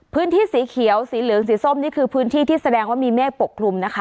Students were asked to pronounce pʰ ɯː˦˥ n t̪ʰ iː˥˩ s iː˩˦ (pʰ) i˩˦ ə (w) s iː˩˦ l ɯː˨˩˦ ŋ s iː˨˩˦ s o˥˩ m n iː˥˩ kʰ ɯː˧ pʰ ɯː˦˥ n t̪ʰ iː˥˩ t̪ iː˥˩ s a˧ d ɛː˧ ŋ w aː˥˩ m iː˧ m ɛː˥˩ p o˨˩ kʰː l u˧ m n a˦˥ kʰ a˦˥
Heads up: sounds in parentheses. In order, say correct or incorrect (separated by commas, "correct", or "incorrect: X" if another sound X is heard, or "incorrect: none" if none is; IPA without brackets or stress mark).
incorrect: kʰ, correct